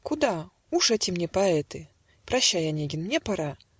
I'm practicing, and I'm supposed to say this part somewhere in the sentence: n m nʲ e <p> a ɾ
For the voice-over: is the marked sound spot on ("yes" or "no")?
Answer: yes